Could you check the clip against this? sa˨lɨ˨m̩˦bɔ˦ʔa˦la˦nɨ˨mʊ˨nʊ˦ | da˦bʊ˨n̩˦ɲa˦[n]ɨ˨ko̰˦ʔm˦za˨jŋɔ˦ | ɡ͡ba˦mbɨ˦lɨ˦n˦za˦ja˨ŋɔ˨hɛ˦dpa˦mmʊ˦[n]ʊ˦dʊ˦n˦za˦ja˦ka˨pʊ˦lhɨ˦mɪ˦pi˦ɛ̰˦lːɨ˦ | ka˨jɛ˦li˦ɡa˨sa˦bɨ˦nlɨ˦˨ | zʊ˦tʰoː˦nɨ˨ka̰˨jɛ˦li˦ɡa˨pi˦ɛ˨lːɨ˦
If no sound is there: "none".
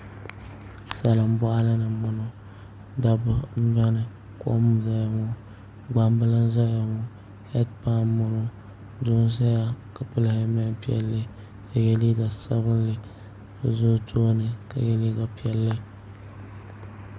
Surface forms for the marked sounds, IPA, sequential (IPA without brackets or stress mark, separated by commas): n, n